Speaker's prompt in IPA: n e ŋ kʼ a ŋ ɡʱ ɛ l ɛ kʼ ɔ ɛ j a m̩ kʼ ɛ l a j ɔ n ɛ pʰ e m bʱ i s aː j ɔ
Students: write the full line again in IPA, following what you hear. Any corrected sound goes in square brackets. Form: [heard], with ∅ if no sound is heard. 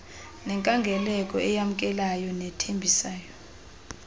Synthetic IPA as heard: n [ɛ] ŋ kʼ a ŋ ɡʱ ɛ l ɛ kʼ ɔ ɛ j a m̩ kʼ ɛ l a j ɔ n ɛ [tʰ] e m bʱ i s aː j ɔ